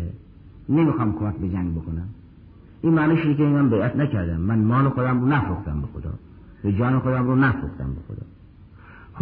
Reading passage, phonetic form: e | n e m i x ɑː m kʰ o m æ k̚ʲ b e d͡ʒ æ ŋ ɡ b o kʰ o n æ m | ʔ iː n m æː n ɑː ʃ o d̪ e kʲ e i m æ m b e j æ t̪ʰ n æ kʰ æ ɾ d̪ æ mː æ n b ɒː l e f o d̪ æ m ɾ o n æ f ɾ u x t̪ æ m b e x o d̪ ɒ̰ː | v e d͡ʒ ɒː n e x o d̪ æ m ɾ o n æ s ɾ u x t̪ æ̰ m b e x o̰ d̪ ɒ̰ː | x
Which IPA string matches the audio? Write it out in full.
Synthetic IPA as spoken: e | n e m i x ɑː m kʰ o m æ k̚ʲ b e d͡ʒ æ ŋ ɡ b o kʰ o n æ m | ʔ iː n m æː n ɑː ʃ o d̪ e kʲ e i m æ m b e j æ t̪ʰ n æ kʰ æ ɾ d̪ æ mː æ n m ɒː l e x o d̪ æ m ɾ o n æ f ɾ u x t̪ æ m b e x o d̪ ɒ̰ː | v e d͡ʒ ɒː n e x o d̪ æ m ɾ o n æ f ɾ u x t̪ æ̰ m b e x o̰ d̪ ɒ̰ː | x